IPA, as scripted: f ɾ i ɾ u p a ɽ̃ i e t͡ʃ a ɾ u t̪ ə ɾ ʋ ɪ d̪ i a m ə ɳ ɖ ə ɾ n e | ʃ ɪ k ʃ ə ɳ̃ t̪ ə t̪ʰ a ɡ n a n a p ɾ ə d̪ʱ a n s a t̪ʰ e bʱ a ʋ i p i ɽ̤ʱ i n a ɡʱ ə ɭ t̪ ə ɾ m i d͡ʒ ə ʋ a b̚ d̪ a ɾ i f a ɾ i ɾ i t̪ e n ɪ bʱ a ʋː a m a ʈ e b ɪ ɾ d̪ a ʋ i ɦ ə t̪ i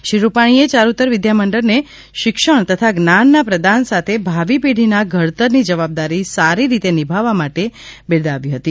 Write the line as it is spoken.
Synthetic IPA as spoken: ʃ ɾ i ɾ u p a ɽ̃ i e t͡ʃ a ɾ u t̪ ə ɾ ʋ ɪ d̪ j a m ə ɳ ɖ ə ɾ n e | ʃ ɪ k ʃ ə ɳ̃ t̪ ə t̪ʰ a ɡ n a nː a p ɾ ə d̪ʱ a n s a t̪ʰ e bʱ a ʋ i p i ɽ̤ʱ i n a ɡʱ ə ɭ t̪ ə ɾ n i d͡ʒ ə ʋ a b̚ d̪ a ɾ i s a ɾ i ɾ i t̪ e n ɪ bʱ a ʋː a m a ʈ e b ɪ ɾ d̪ a ʋ i ɦ ə t̪ i